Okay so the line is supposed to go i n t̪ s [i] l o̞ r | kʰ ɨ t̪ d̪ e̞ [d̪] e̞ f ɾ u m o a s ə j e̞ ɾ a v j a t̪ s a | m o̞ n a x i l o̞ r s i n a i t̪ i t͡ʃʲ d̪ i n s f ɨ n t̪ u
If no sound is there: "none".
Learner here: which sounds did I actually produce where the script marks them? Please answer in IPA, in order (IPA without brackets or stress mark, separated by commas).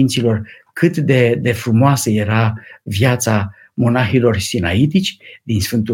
i, d̪